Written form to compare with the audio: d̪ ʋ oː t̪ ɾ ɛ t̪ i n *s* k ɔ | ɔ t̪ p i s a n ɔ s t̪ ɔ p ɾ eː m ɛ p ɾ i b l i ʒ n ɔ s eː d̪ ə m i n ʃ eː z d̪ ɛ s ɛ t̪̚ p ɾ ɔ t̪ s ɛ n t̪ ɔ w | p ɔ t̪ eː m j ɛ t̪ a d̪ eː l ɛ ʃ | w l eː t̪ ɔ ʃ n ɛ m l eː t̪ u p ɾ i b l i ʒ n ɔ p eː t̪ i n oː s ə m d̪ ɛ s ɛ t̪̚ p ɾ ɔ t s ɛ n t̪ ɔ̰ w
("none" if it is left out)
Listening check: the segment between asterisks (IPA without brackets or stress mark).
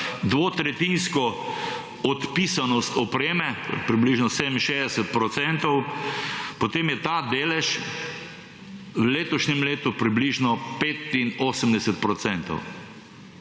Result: s